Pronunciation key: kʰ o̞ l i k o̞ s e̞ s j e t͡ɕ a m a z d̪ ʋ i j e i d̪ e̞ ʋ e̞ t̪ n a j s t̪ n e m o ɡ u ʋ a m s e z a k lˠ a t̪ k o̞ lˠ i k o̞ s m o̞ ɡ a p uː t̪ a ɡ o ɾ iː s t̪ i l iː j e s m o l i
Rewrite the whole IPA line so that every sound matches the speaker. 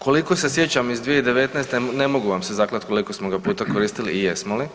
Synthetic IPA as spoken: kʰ o̞ l i k o̞ s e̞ s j e t͡ɕ a m i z d̪ ʋ i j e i d̪ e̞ ʋ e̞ t̪ n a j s t̪ n e m o ɡ u ʋ a m s e z a k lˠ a t̪ k o̞ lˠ i k o̞ s m o̞ ɡ a p uː t̪ a k o ɾ iː s t̪ i l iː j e s m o l i